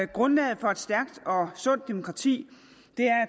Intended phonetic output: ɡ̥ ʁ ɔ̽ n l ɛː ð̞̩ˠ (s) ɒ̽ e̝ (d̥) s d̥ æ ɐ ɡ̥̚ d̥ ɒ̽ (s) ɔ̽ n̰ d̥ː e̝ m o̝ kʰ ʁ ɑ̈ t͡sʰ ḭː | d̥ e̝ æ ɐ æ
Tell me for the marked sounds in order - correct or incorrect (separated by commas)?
incorrect, correct, correct